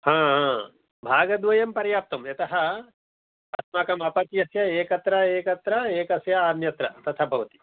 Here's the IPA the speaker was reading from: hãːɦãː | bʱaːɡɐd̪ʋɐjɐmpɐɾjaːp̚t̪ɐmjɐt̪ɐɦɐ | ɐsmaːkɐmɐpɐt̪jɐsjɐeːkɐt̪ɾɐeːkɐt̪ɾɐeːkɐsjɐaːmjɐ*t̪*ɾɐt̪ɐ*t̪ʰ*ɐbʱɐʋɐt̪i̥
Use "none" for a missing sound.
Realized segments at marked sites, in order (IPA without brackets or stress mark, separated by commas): t̪, t̪ʰ